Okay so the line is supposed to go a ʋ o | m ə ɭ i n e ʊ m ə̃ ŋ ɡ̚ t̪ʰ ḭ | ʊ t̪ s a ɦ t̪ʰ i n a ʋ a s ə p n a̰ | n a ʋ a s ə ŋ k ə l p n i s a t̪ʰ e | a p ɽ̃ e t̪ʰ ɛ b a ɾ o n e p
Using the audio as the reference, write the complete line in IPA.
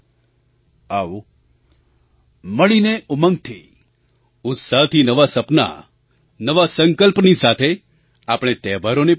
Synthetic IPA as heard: a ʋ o | m ə ɭ i n e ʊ m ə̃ ŋ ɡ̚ t̪ʰ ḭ | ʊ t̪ s a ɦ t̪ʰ i n ə ʋ a s ə p n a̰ | n ə ʋ a s ə ŋ k ə l p n i s a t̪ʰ e | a p ɽ̃ e t̪ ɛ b a ɾ o n e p